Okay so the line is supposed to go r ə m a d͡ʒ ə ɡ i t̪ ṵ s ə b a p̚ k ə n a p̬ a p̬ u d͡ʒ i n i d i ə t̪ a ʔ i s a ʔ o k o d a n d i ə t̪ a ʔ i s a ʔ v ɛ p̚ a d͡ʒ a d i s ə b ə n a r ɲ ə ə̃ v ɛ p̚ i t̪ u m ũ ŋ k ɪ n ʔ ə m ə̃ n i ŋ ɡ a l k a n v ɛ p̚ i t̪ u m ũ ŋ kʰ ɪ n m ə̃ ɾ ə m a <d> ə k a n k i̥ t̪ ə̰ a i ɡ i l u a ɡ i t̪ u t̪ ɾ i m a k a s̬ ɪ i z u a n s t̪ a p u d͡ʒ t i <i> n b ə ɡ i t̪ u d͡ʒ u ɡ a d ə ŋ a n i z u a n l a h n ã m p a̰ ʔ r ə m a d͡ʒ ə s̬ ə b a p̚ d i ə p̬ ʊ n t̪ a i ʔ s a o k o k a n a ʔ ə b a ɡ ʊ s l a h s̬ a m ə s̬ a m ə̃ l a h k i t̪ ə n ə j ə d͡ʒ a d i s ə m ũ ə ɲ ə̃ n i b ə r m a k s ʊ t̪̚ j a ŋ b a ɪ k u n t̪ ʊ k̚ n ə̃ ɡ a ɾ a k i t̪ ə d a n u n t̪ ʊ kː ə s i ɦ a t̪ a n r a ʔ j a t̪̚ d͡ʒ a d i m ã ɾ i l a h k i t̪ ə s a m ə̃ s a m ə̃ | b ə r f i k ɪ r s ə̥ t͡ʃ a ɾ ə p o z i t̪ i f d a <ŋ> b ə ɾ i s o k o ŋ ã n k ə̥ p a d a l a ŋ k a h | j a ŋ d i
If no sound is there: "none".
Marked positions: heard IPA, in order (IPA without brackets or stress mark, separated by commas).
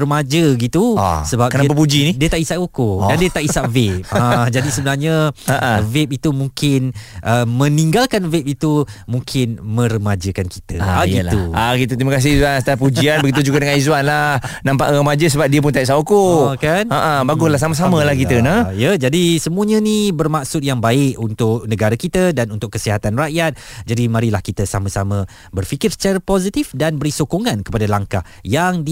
d͡ʒ, a, n